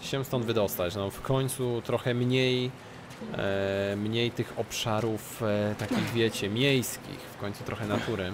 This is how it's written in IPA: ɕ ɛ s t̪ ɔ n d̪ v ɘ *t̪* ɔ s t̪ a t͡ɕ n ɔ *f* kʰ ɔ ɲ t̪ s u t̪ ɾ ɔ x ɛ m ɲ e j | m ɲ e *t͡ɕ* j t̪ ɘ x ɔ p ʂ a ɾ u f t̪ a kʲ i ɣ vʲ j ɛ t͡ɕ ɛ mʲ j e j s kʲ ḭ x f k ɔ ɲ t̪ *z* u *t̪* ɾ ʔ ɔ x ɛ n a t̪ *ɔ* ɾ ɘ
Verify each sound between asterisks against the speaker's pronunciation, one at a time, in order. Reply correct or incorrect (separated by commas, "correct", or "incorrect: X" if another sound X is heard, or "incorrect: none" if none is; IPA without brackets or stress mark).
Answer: incorrect: d̪, correct, incorrect: none, incorrect: s, correct, incorrect: u